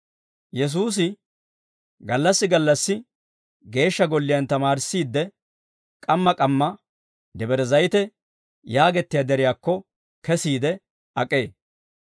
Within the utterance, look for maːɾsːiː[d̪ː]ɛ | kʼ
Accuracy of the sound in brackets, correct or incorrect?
correct